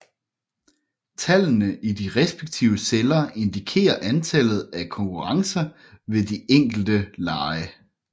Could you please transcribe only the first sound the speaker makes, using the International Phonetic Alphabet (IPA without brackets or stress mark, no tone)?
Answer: t͡sʰ